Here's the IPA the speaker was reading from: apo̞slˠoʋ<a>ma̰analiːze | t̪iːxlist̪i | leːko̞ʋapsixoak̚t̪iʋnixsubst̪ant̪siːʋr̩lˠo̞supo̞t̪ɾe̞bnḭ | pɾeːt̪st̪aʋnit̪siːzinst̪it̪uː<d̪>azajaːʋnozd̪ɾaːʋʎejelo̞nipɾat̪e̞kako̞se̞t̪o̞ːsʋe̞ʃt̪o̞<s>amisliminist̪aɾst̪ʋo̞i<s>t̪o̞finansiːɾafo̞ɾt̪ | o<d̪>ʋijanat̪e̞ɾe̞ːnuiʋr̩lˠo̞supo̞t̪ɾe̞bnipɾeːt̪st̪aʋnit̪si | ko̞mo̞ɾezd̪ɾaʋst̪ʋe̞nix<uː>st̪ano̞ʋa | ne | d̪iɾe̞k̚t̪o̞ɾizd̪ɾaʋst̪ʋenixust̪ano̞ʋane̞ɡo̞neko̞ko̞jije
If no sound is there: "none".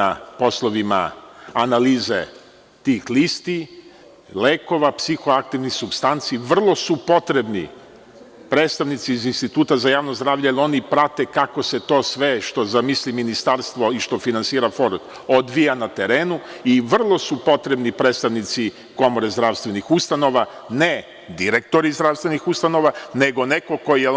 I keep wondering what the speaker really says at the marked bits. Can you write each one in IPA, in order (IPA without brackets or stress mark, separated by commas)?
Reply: i, t̪, z, ʃ, d̪, u